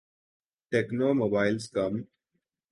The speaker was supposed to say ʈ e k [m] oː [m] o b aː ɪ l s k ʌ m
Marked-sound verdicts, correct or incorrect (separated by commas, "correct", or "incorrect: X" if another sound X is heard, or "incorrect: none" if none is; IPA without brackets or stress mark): incorrect: n, correct